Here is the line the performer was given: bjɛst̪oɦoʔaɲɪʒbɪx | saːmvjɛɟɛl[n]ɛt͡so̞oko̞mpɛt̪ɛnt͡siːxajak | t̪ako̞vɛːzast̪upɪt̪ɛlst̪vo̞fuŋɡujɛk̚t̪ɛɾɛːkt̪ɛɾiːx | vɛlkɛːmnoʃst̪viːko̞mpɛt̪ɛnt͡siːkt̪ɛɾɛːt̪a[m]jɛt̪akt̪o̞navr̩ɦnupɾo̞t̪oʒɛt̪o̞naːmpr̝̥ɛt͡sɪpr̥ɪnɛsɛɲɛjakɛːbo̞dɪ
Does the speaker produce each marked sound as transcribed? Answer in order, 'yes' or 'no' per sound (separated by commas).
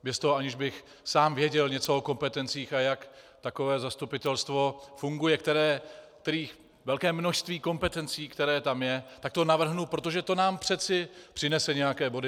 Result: no, yes